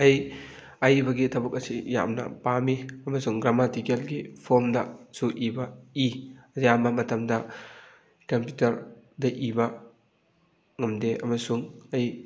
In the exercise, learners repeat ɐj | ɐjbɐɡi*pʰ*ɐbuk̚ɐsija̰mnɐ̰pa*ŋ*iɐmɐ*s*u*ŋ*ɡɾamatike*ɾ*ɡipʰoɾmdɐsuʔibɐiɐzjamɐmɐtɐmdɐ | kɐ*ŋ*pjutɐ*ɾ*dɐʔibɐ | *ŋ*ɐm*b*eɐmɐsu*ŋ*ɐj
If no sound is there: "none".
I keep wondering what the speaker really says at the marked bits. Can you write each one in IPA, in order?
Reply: tʰ, m, s, ŋ, l, m, ɾ, ŋ, d, ŋ

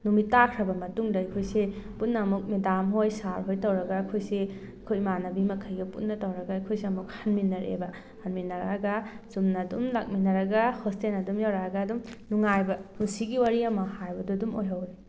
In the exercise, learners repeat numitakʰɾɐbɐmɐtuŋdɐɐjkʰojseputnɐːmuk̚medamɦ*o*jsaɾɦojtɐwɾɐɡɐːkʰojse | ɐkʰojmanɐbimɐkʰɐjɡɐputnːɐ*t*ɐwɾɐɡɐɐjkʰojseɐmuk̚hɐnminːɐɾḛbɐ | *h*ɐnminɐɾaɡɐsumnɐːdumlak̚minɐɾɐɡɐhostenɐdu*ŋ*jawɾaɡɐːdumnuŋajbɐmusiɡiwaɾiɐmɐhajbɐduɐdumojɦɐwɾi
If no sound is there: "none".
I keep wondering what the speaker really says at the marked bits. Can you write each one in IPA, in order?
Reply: o, t, h, m

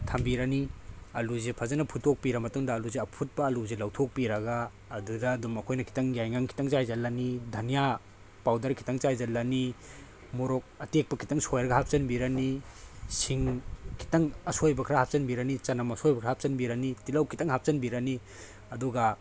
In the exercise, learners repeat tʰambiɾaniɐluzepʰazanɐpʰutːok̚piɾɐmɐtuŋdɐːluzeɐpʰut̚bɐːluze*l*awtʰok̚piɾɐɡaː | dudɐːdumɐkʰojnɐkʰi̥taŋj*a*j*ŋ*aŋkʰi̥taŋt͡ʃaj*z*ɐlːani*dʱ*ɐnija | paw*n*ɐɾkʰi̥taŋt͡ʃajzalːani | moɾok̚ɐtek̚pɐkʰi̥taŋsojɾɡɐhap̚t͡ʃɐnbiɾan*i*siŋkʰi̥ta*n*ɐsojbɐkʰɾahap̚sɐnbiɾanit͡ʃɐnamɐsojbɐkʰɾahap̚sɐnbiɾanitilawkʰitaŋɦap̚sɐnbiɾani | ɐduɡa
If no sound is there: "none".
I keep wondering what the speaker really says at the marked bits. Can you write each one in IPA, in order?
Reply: l, a, ŋ, z, dʱ, d, i, ŋ

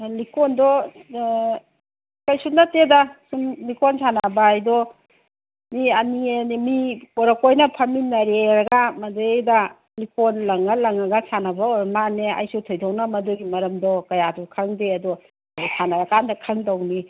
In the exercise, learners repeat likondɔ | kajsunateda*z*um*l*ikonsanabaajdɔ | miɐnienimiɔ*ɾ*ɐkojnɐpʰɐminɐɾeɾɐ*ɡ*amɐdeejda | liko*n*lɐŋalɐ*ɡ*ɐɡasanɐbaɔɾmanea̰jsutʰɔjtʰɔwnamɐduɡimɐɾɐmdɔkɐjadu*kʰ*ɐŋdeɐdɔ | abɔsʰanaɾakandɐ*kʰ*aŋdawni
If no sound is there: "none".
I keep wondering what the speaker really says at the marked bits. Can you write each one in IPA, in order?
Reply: s, l, ɾ, ɡ, n, ŋ, kʰ, kʰ

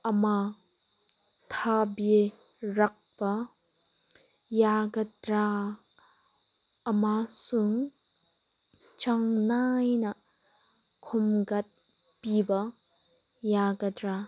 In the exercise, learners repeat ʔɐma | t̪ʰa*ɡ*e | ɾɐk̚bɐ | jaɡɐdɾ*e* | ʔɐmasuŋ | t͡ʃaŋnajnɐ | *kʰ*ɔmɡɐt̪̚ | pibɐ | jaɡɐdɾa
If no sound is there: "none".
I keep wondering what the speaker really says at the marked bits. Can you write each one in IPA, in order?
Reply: b, a, kʰ

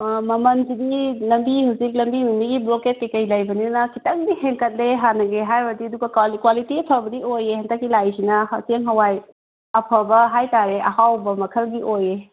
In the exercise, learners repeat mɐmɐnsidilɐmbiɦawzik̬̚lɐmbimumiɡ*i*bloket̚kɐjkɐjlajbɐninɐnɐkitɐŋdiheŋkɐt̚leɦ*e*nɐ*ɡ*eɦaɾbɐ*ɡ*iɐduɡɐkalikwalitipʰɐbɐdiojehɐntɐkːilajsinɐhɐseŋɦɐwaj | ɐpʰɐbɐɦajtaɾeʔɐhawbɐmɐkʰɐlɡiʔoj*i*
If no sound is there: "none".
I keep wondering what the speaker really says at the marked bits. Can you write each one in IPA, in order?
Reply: i, a, ɡ, d, e

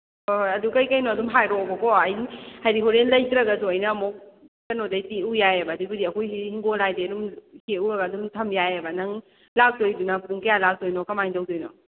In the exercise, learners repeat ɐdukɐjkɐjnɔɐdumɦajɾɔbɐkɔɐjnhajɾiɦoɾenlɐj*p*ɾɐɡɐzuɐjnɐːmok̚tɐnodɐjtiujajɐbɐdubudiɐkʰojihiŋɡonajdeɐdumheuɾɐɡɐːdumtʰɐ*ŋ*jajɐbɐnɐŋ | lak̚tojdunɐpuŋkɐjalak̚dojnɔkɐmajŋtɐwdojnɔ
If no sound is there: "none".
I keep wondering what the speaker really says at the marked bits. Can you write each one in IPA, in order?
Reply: k, m

